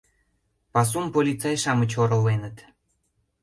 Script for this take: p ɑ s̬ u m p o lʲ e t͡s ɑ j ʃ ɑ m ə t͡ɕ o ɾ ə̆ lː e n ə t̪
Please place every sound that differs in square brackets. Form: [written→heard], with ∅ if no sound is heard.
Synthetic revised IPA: p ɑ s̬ u m p o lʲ [e→i] t͡s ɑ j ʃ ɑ m ə t͡ɕ o ɾ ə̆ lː e n ə t̪